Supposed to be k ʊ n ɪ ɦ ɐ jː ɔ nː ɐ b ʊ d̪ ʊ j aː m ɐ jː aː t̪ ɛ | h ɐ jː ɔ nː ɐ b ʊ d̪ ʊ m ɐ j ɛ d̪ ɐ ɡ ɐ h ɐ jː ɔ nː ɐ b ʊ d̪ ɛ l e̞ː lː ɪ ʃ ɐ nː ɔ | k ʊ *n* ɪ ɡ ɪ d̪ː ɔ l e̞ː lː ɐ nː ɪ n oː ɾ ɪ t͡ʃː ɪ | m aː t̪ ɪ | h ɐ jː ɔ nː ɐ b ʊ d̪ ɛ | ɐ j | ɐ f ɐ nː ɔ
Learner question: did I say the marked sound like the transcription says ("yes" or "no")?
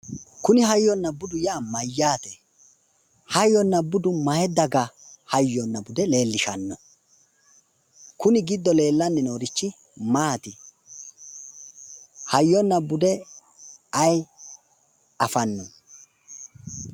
yes